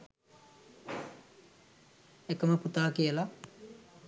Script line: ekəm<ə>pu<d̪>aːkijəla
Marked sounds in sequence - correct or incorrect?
correct, incorrect: t̪

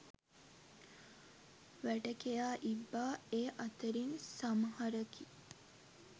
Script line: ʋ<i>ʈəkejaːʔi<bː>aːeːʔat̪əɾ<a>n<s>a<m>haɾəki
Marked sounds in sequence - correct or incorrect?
incorrect: æ, correct, incorrect: i, correct, correct

